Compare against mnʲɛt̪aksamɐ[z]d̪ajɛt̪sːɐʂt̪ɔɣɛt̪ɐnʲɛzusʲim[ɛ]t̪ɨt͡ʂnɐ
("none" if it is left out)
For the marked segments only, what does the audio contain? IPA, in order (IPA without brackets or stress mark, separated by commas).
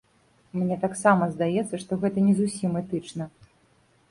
z, ɛ